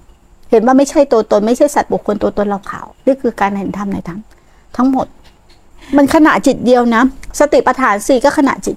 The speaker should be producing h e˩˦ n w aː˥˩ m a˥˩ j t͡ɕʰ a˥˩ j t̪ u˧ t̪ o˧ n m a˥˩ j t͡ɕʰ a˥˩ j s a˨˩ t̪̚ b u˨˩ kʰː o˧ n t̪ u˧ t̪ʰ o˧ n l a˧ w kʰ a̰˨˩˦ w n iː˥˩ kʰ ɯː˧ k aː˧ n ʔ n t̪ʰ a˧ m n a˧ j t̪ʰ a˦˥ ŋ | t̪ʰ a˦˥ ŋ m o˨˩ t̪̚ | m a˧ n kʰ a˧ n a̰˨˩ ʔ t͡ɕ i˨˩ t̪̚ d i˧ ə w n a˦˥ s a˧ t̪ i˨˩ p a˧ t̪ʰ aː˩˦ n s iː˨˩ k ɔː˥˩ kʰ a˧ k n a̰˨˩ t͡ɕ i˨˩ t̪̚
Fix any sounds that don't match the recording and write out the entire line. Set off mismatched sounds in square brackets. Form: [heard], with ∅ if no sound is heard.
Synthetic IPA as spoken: h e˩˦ n w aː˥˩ m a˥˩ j t͡ɕʰ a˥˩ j t̪ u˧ t̪ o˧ n m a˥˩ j t͡ɕʰ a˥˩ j s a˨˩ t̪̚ b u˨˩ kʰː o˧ n t̪ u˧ [t̪] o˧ n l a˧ w kʰ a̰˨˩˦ w n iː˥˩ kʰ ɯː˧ k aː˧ n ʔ n t̪ʰ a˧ m n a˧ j t̪ʰ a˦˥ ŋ | t̪ʰ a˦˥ ŋ m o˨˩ t̪̚ | m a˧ n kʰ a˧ n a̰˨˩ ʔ t͡ɕ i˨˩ t̪̚ d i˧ ə w n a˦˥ s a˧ t̪ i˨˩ p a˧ t̪ʰ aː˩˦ n s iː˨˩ k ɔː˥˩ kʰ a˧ [∅] n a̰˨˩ t͡ɕ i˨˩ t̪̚